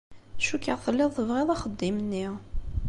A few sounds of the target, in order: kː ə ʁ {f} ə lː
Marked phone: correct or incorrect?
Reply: incorrect: θ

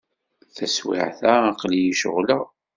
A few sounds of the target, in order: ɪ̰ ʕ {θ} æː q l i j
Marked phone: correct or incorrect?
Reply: correct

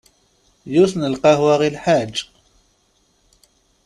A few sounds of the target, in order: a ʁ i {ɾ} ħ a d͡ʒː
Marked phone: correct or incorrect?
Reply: incorrect: l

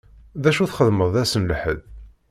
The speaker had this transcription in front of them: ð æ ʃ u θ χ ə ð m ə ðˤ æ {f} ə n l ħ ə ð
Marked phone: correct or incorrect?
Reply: incorrect: s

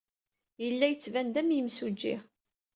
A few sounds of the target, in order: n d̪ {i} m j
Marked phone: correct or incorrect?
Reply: incorrect: æ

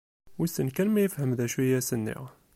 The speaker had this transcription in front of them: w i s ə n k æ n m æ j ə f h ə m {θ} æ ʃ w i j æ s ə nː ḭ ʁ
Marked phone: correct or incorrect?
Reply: incorrect: ð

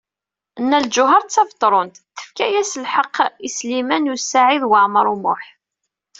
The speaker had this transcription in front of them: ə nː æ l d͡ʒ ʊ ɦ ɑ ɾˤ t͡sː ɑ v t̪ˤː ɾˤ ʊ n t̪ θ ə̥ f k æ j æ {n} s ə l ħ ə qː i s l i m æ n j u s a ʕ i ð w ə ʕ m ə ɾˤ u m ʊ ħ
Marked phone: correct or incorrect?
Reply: incorrect: none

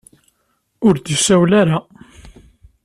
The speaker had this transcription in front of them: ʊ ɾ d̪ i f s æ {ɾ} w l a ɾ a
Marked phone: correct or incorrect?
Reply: incorrect: none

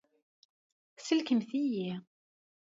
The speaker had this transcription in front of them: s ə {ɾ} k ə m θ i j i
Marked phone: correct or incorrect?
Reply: incorrect: l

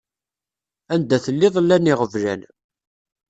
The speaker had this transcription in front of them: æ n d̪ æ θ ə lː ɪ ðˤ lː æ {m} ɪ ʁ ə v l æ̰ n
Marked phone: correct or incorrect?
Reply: incorrect: n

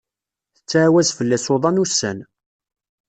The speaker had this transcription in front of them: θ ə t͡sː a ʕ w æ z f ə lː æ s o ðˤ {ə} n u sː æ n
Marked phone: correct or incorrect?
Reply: incorrect: ɑ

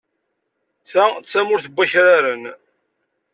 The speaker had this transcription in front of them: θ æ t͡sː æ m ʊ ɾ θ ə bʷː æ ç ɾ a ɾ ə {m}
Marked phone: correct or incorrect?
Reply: incorrect: n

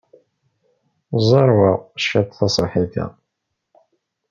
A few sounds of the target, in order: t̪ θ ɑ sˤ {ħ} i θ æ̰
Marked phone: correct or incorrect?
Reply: correct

